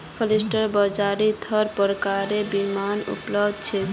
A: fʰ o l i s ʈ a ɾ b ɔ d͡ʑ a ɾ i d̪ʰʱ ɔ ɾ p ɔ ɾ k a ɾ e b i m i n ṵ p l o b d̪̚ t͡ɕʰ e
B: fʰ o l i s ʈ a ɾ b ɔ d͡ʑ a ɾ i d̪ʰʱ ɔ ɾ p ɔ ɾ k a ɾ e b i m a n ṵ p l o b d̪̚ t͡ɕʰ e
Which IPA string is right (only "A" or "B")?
B